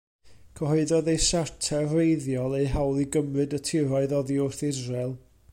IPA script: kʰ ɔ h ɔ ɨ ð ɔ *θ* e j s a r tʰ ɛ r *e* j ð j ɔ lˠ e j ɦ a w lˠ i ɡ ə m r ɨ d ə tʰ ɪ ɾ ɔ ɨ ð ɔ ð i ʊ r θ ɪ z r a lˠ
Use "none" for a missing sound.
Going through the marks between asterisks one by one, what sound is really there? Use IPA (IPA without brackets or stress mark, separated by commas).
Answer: ð, e